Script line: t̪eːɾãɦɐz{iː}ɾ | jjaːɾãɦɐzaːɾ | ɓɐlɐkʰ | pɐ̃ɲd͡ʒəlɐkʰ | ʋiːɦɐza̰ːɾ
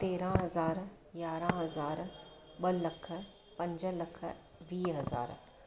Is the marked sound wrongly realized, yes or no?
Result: yes